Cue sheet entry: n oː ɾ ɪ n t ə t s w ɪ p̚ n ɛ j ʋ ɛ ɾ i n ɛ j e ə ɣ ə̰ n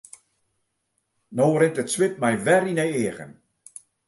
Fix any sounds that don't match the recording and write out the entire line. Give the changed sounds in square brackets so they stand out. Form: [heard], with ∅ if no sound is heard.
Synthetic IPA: n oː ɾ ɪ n t ə t s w ɪ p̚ [m] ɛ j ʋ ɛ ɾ i n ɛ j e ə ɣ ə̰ n